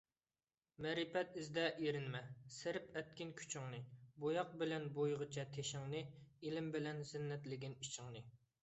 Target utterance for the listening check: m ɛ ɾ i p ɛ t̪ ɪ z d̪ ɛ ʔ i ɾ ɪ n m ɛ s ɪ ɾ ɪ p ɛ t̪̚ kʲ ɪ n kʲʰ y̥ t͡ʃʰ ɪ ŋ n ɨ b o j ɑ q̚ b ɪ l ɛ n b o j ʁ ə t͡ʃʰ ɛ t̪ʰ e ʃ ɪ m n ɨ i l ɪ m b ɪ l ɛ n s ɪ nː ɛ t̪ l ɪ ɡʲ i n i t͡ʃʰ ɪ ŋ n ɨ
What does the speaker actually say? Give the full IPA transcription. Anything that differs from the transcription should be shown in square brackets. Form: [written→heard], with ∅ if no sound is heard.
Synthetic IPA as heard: m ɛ ɾ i p ɛ t̪ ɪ z d̪ ɛ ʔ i ɾ ɪ n m ɛ s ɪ ɾ ɪ p ɛ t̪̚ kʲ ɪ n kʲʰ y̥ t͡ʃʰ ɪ ŋ n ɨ b o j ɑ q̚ b ɪ l ɛ n b o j ʁ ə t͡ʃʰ ɛ t̪ʰ e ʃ ɪ [m→ŋ] n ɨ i l ɪ m b ɪ l ɛ n [s→z] ɪ nː ɛ t̪ l ɪ ɡʲ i n i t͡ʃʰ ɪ ŋ n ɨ